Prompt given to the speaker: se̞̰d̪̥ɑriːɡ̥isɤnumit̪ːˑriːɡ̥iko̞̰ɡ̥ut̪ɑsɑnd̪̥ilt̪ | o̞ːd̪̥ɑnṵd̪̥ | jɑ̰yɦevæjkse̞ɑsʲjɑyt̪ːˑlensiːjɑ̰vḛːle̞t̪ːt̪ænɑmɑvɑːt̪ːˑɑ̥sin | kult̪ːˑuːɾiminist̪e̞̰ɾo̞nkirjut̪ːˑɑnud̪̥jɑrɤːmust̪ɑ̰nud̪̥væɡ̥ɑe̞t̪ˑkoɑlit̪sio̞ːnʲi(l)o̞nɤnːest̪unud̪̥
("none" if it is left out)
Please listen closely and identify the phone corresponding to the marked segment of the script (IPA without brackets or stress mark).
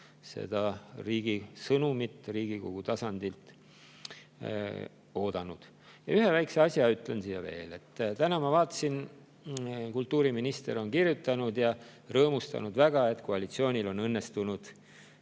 l